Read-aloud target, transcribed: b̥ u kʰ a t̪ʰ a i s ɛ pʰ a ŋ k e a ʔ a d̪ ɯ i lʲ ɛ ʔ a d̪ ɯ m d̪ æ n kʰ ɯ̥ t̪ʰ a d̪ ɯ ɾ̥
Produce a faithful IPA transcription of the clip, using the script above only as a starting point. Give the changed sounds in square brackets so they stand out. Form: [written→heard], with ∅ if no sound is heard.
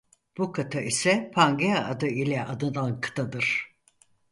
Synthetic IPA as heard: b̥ u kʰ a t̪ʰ a i s ɛ pʰ a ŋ [k→ɡ] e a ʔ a d̪ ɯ i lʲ ɛ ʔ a d̪ ɯ [m→n] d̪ [æ→a] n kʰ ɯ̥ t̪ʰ a d̪ ɯ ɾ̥